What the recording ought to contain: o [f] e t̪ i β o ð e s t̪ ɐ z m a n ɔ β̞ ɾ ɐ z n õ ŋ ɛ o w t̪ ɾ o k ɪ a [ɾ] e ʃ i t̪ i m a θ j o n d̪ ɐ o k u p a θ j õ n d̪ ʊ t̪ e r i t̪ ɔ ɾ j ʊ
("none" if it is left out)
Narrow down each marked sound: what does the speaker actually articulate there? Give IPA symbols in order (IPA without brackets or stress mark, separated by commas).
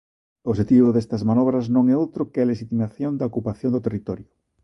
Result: ʃ, l